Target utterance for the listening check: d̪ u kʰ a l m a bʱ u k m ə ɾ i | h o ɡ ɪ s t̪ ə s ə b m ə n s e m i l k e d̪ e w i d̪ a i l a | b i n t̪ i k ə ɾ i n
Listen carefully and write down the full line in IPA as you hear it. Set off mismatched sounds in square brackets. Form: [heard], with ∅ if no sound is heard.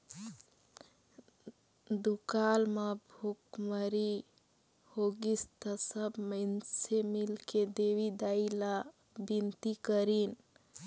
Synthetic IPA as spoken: d̪ u [k] a l m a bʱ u k m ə ɾ i | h o ɡ [i] s t̪ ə s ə b m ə n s e m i l k e d̪ e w i d̪ a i l a | b i n t̪ i k ə ɾ i n